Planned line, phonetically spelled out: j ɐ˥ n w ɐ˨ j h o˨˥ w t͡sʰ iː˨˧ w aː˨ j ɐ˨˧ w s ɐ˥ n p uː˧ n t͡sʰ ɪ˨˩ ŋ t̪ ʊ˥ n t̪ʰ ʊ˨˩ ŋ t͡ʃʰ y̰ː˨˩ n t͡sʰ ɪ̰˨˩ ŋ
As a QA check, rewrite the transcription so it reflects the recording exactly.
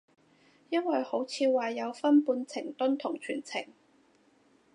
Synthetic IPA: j ɐ˥ n w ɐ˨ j h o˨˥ w t͡sʰ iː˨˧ w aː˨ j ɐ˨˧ w f ɐ˥ n p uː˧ n t͡sʰ ɪ˨˩ ŋ t̪ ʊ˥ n t̪ʰ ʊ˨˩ ŋ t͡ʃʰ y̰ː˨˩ n t͡sʰ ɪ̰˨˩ ŋ